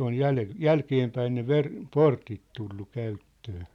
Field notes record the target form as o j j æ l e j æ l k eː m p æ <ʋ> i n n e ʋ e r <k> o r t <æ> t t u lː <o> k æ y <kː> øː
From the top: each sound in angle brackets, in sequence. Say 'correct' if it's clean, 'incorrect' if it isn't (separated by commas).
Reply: incorrect, incorrect, incorrect, incorrect, incorrect